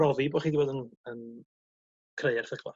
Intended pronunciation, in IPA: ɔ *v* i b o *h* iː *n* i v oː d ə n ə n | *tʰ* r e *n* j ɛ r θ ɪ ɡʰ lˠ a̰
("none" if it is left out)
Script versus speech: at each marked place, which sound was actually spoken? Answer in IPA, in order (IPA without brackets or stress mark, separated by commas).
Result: v, χ, d, kʰ, none